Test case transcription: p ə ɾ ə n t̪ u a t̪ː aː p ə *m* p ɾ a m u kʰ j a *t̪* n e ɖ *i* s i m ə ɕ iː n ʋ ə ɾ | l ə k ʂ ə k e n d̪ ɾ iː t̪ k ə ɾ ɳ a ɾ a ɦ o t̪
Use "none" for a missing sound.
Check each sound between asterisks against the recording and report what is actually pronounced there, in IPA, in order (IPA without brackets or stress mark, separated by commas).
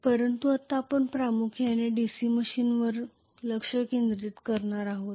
ɳ, none, i